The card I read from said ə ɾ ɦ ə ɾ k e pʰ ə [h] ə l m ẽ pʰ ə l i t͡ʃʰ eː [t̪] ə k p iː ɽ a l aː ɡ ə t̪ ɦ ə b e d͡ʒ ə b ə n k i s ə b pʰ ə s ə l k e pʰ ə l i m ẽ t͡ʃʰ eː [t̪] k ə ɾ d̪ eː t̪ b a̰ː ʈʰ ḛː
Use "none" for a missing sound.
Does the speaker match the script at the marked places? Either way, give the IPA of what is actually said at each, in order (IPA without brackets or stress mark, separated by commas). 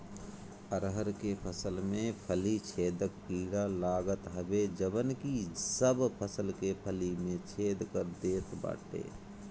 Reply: s, d̪, d̪